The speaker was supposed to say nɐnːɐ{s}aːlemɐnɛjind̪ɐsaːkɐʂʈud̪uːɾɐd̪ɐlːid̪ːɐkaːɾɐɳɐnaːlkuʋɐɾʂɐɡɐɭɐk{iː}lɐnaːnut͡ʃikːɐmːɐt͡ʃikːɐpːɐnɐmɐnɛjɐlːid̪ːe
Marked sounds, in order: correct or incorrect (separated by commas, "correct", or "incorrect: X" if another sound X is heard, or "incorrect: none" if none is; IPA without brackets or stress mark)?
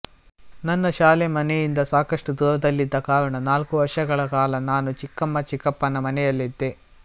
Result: incorrect: ʃ, incorrect: aː